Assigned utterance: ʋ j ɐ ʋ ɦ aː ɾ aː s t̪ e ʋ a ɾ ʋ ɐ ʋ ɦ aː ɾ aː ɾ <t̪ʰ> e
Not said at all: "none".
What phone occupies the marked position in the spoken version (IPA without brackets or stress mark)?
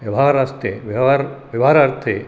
t̪ʰ